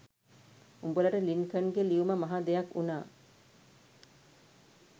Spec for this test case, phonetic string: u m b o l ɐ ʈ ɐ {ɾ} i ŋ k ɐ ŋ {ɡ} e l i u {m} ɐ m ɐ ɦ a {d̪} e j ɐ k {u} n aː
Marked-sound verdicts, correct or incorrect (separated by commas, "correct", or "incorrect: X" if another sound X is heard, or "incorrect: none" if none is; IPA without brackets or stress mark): incorrect: l, correct, correct, correct, correct